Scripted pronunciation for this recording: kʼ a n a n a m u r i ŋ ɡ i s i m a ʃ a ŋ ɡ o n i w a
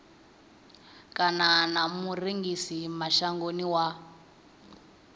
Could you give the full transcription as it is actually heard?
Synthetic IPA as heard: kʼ a n a n a m u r i ŋ ɡ i s i m a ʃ a ŋ ɡ o n i w a